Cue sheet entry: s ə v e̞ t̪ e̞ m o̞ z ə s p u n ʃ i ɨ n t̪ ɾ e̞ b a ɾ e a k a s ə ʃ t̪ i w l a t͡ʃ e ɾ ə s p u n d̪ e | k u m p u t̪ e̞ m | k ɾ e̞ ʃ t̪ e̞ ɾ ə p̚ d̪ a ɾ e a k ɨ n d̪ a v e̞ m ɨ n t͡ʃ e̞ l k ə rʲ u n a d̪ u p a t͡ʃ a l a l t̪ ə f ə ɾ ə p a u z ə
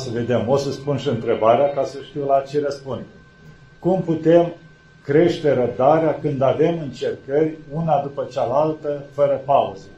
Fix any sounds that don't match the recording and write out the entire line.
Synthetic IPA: s ə v e̞ d̪ e̞ m o̞ s ə s p u n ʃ i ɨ n t̪ ɾ e̞ b a ɾ e a k a s ə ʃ t̪ i w l a t͡ʃ e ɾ ə s p u n d̪ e | k u m p u t̪ e̞ m | k ɾ e̞ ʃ t̪ e̞ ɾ ə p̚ d̪ a ɾ e a k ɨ n d̪ a v e̞ m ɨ n t͡ʃ e̞ r k ə rʲ u n a d̪ u p ə t͡ʃ a l a l t̪ ə f ə ɾ ə p a u z ə